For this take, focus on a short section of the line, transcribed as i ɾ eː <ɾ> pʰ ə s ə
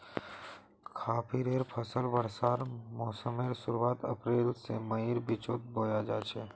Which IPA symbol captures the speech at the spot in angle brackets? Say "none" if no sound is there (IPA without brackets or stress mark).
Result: ɾ